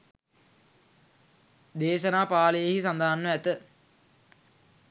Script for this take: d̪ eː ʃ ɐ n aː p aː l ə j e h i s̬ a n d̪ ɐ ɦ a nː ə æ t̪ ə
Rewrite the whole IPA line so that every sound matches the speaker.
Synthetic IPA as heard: d̪ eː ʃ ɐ n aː p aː l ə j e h i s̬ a n d̪ a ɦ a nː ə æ t̪ ə